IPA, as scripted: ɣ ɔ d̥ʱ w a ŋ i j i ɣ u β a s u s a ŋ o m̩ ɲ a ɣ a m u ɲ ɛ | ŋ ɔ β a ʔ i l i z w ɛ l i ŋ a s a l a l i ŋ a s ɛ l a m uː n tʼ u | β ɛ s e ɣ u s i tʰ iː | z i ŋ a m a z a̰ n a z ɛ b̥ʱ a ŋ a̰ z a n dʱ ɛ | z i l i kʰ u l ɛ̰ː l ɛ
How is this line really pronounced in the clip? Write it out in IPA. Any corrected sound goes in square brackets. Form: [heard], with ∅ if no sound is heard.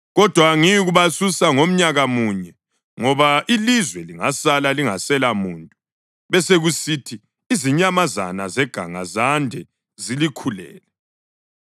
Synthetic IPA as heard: ɣ ɔ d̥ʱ w a ŋ i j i ɣ u β a s u s a ŋ o m̩ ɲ a ɣ a m u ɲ ɛ | ŋ ɔ β a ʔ i l i z w ɛ l i ŋ a s a l a l i ŋ a s ɛ l a m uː n tʼ u | β ɛ s e ɣ u s i tʰ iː | z i [ɲ] a m a z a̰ n a z ɛ [ɡ̥ʱ] a ŋ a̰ z a n dʱ ɛ | z i l i kʰ u l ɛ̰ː l ɛ